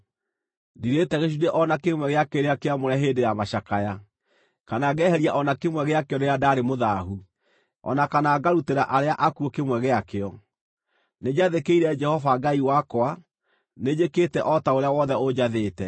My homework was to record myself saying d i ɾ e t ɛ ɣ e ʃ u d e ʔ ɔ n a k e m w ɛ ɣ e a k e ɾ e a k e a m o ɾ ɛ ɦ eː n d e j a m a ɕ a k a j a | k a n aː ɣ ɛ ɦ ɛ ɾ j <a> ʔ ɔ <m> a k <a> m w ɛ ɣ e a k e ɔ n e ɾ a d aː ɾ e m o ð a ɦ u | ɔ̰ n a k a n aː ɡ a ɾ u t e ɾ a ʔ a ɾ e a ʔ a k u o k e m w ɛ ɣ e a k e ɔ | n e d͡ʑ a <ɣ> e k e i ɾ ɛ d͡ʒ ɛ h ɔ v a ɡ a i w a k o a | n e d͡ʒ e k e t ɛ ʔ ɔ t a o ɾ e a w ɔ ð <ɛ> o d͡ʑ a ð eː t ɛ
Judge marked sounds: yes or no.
yes, no, no, no, yes

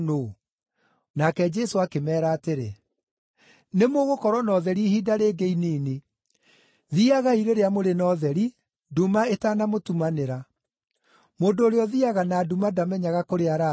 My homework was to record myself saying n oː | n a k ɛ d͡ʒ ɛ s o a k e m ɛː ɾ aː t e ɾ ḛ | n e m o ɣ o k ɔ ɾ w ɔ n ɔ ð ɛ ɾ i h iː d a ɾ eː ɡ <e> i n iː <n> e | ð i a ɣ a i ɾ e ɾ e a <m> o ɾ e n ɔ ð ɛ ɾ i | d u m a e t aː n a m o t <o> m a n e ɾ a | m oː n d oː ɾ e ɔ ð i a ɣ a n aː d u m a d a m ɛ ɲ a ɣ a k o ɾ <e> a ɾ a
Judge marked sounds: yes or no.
yes, yes, yes, no, yes

